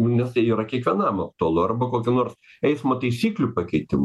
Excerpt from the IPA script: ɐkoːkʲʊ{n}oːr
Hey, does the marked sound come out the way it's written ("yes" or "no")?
yes